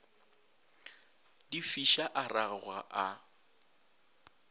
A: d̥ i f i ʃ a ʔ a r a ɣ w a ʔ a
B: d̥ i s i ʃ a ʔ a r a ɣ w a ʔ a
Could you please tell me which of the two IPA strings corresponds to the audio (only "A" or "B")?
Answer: A